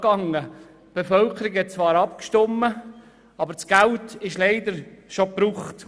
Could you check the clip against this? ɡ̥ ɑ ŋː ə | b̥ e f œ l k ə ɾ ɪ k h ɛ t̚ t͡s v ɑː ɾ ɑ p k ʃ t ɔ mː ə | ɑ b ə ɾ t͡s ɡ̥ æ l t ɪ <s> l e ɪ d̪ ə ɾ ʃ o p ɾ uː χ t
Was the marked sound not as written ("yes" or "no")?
yes